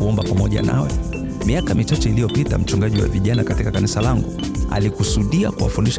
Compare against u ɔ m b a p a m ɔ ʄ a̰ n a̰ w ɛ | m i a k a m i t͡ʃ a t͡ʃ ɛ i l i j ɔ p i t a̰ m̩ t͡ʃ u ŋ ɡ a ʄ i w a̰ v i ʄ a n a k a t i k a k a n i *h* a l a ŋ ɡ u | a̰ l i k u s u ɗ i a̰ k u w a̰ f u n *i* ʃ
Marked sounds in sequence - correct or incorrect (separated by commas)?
incorrect, correct